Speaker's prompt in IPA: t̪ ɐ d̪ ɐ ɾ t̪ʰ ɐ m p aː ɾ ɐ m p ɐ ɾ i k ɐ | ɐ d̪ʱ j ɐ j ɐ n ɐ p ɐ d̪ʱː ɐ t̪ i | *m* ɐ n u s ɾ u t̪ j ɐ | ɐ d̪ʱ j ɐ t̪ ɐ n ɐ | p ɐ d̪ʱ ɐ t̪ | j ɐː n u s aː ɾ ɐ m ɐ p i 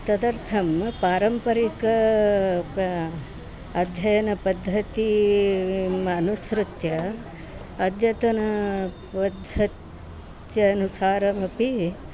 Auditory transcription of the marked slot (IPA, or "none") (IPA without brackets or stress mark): m